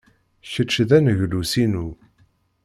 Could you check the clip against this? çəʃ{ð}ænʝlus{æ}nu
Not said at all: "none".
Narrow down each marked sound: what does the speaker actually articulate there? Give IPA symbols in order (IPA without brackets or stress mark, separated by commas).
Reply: ð, i